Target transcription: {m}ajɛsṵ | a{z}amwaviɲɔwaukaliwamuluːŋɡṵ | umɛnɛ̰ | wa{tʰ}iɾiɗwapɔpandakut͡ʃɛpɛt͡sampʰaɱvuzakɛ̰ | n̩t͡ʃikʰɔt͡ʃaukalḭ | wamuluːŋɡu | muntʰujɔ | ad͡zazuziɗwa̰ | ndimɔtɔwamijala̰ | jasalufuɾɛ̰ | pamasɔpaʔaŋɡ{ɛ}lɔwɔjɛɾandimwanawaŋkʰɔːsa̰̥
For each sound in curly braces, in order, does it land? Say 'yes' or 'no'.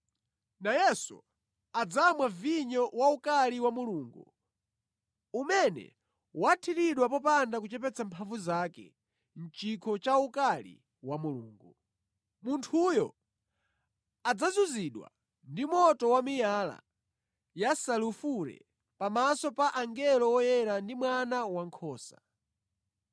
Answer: no, no, yes, yes

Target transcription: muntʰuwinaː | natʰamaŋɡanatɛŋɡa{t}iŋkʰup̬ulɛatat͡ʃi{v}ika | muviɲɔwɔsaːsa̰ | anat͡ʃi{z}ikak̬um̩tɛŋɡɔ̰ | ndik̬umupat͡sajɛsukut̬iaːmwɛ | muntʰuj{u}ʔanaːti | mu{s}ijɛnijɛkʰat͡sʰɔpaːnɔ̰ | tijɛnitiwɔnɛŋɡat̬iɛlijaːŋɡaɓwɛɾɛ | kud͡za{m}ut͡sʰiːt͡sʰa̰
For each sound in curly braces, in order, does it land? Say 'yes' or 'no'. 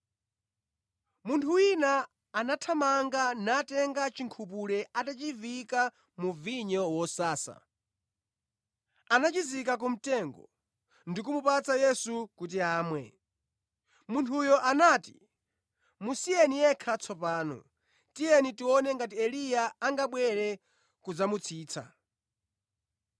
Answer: no, yes, yes, no, yes, yes

